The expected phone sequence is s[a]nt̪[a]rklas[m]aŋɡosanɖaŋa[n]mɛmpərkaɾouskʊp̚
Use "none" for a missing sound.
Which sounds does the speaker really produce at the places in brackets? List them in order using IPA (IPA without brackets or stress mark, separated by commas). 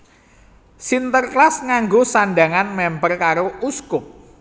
i, ə, ŋ, n